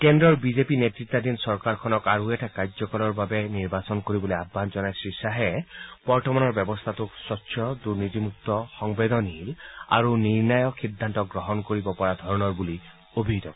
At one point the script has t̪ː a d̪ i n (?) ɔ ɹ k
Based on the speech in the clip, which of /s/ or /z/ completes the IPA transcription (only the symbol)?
s